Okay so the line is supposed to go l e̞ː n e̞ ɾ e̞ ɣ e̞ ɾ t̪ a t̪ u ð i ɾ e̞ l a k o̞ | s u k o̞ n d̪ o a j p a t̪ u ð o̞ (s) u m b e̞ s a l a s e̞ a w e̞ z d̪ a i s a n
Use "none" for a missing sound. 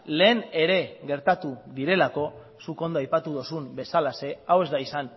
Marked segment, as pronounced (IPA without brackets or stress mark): s